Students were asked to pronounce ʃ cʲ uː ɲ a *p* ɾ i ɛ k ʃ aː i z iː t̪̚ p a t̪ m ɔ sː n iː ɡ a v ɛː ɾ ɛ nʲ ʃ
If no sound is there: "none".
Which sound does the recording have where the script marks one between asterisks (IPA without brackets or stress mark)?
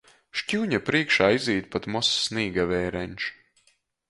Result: p